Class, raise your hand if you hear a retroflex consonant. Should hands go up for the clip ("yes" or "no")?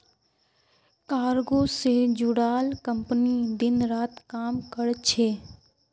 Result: yes